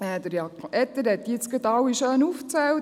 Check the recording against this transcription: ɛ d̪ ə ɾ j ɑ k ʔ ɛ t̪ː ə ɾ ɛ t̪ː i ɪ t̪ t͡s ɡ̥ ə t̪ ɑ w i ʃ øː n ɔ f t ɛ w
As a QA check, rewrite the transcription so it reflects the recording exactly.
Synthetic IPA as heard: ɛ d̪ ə ɾ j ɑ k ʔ ɛ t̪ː ə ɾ ɛ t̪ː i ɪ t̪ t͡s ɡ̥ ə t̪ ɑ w i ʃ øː n u f t͡s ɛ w